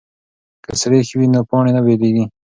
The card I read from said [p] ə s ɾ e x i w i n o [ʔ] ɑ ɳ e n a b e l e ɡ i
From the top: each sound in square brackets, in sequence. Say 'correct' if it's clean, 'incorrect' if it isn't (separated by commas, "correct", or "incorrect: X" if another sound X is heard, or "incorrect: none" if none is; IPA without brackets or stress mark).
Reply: incorrect: k, incorrect: p